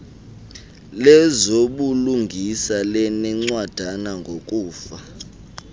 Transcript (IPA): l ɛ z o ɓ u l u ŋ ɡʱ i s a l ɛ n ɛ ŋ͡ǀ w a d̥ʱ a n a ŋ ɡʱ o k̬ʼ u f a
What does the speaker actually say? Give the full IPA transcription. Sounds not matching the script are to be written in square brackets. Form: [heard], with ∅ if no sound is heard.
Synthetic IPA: l ɛ z o ɓ u l u ŋ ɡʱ i s a l ɛ n ɛ ŋ͡ǀ w a d̥ʱ a n a ŋ ɡʱ o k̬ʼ [uː] f a